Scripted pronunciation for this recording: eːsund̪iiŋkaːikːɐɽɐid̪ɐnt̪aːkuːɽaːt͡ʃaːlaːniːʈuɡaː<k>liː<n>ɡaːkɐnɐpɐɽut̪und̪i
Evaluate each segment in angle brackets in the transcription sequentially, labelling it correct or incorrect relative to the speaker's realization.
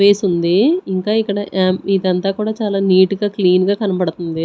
correct, correct

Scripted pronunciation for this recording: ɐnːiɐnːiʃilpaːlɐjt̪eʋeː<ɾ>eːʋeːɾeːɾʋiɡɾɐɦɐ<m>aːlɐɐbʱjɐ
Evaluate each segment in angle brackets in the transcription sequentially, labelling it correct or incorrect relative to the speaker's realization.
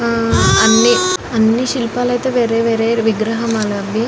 correct, correct

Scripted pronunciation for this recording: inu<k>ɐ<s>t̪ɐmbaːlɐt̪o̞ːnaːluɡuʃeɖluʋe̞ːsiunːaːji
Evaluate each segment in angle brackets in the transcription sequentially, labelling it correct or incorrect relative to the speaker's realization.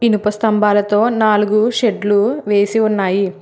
incorrect: p, correct

